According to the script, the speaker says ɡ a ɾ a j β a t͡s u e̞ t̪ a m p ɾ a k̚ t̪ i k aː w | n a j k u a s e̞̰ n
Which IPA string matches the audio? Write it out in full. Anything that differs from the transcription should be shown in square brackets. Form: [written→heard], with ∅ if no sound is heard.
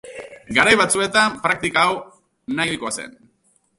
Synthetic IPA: ɡ a ɾ a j β a t͡s u e̞ t̪ a m p ɾ a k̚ t̪ i k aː w | n a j k [u→o] a s e̞̰ n

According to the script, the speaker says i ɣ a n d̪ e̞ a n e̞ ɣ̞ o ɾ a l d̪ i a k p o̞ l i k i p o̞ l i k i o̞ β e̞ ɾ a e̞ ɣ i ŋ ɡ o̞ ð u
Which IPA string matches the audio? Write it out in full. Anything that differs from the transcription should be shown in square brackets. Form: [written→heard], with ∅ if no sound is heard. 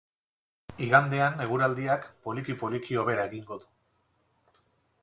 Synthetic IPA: i ɣ a n d̪ e̞ a n e̞ ɣ̞ [o→u] ɾ a l d̪ i a k p o̞ l i k i p o̞ l i k i o̞ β e̞ ɾ a e̞ ɣ i ŋ ɡ o̞ ð u

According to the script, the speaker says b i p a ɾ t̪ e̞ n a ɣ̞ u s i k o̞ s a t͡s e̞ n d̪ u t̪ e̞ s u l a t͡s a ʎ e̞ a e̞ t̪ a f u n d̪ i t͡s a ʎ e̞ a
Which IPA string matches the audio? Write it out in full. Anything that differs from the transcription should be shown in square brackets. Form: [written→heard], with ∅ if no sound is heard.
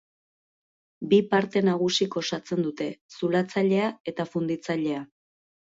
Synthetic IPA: b i p a ɾ t̪ e̞ n a ɣ̞ u s i k o̞ s a t͡s e̞ n d̪ u t̪ e̞ s u l a t͡s a ʎ e̞ a e̞ t̪ a f u n d̪ i t͡s a ʎ e̞ a

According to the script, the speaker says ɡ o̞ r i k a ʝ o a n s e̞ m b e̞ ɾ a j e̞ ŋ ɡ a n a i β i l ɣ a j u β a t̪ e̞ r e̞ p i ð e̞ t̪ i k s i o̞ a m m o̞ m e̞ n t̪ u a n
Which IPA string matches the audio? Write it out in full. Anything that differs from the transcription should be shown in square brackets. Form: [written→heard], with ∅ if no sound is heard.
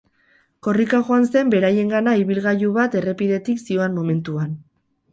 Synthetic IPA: [ɡ→k] o̞ r i k a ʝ o a n s e̞ m b e̞ ɾ a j e̞ ŋ ɡ a n a i β i l ɣ a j u β a t̪ e̞ r e̞ p i ð e̞ t̪ i k s i o̞ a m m o̞ m e̞ n t̪ u a n

